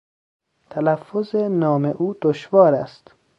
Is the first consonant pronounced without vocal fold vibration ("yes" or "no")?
yes